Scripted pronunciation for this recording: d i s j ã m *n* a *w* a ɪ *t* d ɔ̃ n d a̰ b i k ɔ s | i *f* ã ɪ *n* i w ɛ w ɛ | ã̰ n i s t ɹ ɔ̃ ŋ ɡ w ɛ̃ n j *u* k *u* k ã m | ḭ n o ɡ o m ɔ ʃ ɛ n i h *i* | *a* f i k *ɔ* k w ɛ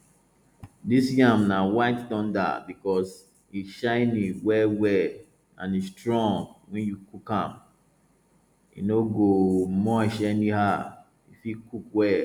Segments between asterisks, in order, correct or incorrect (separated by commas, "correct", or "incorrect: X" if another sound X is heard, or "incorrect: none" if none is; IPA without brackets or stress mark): correct, correct, correct, incorrect: ʃ, correct, correct, correct, incorrect: a, incorrect: i, incorrect: u